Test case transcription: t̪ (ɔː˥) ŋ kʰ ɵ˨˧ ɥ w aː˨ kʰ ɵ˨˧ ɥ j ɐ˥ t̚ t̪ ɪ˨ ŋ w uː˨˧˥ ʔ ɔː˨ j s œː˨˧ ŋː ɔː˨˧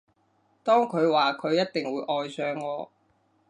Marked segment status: correct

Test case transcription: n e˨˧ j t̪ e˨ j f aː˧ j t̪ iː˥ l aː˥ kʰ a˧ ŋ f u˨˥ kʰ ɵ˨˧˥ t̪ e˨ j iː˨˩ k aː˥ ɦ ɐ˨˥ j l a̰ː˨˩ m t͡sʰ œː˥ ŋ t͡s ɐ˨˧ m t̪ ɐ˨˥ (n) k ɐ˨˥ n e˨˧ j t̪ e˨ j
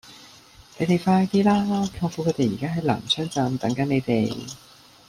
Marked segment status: incorrect: ŋ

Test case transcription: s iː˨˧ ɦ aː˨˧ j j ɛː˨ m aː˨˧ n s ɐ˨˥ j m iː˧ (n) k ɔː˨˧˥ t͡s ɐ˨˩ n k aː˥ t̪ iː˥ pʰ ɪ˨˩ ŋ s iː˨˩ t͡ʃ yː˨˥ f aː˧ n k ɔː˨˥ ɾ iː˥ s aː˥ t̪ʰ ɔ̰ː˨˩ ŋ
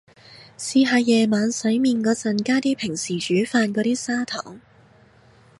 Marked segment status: correct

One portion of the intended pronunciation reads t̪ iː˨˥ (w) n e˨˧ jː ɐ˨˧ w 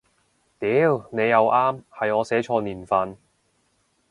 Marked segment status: correct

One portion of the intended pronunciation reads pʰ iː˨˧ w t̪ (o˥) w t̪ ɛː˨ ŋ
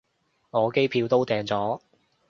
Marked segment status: correct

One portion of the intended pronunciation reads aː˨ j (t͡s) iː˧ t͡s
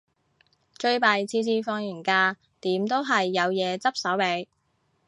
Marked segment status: incorrect: t͡sʰ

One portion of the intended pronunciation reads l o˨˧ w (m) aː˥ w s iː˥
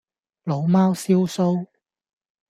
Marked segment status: correct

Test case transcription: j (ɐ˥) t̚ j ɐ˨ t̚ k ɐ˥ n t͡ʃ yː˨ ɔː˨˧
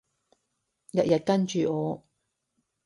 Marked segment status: incorrect: ɐ˨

